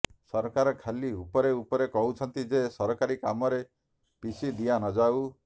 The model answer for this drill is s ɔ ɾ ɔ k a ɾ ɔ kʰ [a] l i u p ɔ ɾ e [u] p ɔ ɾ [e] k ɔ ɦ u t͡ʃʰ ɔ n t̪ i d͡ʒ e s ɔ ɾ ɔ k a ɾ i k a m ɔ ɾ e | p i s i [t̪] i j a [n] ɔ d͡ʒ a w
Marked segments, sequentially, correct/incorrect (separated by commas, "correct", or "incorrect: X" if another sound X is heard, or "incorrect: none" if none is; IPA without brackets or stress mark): correct, correct, correct, incorrect: d̪, correct